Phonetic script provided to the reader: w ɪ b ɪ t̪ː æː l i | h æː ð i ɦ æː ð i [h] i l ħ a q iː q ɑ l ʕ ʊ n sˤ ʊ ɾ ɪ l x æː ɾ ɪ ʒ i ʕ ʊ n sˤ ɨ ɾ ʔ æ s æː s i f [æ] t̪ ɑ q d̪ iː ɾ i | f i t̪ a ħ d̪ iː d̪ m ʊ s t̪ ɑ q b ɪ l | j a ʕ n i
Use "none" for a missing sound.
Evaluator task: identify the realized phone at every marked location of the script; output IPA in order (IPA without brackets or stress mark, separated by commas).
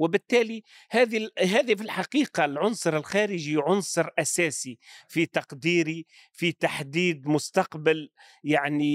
f, i